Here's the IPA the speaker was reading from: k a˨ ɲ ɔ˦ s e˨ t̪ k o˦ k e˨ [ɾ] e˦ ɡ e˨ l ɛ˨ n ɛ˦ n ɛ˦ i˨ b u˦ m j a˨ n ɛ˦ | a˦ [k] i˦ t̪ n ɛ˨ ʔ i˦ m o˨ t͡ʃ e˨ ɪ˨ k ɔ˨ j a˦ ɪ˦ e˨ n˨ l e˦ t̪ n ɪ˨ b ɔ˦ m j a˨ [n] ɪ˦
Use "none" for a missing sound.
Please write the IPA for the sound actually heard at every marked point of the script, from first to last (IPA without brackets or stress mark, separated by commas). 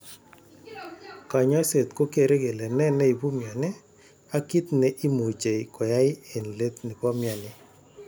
ɾ, k, n